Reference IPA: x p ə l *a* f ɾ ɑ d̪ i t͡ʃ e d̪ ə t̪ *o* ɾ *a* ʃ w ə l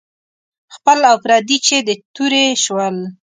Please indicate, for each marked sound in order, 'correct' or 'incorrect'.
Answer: correct, incorrect: u, incorrect: e

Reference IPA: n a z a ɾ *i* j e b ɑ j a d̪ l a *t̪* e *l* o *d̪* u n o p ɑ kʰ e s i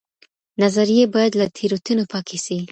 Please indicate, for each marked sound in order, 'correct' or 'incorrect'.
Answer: correct, incorrect: t̪ʰ, incorrect: ɾ, incorrect: t̪

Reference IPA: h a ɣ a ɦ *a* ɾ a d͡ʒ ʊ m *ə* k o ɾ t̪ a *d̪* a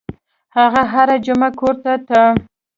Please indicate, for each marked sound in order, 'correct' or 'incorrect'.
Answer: correct, incorrect: a, incorrect: t̪

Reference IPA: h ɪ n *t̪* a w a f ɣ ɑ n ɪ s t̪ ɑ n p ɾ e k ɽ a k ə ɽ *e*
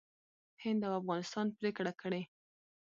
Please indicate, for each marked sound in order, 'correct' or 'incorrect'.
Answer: incorrect: d̪, correct

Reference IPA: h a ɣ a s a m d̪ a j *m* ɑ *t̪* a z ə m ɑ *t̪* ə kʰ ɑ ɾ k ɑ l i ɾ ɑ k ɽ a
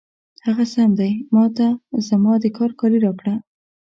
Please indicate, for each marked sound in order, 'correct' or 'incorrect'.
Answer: correct, correct, incorrect: d̪

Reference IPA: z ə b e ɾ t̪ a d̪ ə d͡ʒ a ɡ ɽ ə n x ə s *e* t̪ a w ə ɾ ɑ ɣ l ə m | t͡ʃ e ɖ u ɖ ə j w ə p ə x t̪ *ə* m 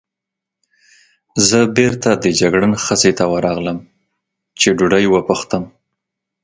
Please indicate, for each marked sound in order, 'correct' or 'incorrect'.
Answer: correct, correct

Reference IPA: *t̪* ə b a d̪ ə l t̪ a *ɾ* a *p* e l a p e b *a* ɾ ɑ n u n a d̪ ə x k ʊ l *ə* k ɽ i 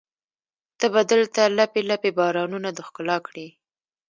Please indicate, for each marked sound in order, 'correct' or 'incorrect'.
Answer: correct, incorrect: l, correct, incorrect: ɑ, incorrect: ɑ

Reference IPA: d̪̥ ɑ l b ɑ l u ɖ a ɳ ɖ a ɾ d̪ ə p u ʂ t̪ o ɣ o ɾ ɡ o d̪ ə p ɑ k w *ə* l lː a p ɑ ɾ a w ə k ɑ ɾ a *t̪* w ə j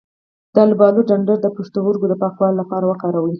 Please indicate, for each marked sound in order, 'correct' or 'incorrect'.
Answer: incorrect: ɑ, incorrect: none

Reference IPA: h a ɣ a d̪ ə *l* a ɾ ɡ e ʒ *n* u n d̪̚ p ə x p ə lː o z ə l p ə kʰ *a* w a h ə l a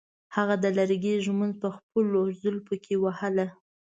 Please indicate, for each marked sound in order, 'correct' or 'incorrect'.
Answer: correct, incorrect: m, incorrect: e

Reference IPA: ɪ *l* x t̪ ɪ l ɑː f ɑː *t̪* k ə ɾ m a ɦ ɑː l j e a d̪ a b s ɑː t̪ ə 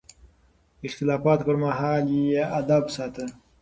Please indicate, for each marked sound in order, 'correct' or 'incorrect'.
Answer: incorrect: none, correct

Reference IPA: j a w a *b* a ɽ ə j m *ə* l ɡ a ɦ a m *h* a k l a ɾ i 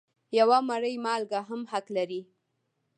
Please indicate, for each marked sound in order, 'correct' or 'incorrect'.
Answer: incorrect: m, incorrect: ɑ, correct

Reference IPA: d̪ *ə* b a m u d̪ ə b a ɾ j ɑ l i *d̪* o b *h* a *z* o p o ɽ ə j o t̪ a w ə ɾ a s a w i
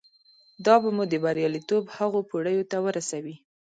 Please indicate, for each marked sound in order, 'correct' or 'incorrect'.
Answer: incorrect: ɑ, incorrect: t̪, correct, incorrect: ɣ

